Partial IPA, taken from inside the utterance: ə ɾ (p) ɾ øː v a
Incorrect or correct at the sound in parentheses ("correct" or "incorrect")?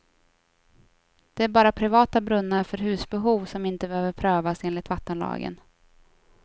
incorrect